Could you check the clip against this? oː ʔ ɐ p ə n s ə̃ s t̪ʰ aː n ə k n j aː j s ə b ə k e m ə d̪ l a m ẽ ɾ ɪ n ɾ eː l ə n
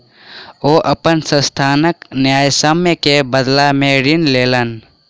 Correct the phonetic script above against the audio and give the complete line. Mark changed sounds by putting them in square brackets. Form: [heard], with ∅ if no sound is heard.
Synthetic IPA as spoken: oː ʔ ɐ p ə n s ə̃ s t̪ʰ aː n ə k n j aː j s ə [m] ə k e [b] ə d̪ l a m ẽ ɾ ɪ n [l] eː l ə n